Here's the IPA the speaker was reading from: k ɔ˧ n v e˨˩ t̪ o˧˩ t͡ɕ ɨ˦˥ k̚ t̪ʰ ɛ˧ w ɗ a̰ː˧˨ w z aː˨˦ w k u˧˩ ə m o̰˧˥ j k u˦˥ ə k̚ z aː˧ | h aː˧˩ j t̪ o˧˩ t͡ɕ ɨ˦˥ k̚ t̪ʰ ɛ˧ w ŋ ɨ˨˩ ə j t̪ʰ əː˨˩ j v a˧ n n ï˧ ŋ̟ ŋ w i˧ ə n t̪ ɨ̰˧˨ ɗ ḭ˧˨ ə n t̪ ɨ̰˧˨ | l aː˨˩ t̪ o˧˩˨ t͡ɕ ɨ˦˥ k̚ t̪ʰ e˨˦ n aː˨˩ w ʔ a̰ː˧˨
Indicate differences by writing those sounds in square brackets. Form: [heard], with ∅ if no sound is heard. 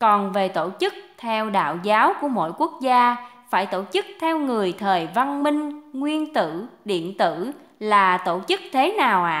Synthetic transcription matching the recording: k [ɔ˨˩] n v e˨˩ t̪ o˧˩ t͡ɕ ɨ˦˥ k̚ t̪ʰ ɛ˧ w ɗ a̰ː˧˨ w z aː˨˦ w k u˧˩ ə m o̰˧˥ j k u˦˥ ə k̚ z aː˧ | [f] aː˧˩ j t̪ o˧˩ t͡ɕ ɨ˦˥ k̚ t̪ʰ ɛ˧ w ŋ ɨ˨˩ ə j t̪ʰ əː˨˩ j v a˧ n [m] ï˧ ŋ̟ ŋ w i˧ ə n t̪ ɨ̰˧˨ ɗ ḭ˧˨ ə n t̪ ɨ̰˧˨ | l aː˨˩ t̪ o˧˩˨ t͡ɕ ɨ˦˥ k̚ t̪ʰ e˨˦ n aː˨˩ w ʔ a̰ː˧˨